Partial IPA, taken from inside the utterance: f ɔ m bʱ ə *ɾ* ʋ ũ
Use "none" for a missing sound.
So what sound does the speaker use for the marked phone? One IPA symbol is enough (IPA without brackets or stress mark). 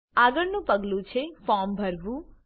ɾ